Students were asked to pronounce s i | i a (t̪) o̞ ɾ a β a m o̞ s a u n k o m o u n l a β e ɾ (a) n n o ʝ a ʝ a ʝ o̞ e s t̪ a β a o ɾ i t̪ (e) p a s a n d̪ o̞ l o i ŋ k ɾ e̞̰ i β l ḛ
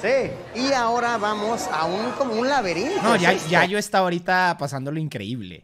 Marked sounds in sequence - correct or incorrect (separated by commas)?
incorrect, incorrect, incorrect